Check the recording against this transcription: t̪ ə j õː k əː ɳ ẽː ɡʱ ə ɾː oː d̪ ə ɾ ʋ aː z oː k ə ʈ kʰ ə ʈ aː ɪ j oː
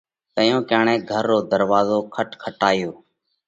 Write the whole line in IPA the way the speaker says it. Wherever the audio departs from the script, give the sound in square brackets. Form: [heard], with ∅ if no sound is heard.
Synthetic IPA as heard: t̪ ə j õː k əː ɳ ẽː ɡʱ ə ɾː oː d̪ ə ɾ ʋ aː z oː [kʰ] ə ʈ kʰ ə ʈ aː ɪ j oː